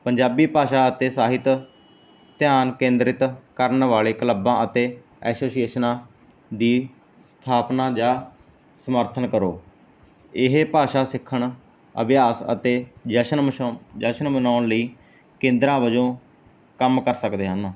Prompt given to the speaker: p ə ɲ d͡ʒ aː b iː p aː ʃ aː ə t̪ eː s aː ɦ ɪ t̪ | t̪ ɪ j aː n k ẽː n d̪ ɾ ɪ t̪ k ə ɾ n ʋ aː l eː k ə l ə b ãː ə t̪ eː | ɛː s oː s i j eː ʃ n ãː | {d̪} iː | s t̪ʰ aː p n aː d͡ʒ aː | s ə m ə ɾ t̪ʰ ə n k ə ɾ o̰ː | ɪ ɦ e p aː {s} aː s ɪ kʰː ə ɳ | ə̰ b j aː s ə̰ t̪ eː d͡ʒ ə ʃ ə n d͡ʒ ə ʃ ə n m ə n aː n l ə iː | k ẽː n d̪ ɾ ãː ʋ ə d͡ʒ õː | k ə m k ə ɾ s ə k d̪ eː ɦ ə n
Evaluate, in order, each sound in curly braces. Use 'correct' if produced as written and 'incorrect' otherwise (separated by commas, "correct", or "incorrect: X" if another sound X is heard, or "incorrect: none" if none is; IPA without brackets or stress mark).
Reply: correct, incorrect: ʃ